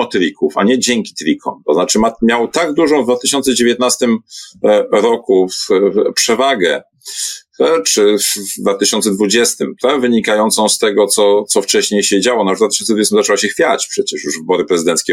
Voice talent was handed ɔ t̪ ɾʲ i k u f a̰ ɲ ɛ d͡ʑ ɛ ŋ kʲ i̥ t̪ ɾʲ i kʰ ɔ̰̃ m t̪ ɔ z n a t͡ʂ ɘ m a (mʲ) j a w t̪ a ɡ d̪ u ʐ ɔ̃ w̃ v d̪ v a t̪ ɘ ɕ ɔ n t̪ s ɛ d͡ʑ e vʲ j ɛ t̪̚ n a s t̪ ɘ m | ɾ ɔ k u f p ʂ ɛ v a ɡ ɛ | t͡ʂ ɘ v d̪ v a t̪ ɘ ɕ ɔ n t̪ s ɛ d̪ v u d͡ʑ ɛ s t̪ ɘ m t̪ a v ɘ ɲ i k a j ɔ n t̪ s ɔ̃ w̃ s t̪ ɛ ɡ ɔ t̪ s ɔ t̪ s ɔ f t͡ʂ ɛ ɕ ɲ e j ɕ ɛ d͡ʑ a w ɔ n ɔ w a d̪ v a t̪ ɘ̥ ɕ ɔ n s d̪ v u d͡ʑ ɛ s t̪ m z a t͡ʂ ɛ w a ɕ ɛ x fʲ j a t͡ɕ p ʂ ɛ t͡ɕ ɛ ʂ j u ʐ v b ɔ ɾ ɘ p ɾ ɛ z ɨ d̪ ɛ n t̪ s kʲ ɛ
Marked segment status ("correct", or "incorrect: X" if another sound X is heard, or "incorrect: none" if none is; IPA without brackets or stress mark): correct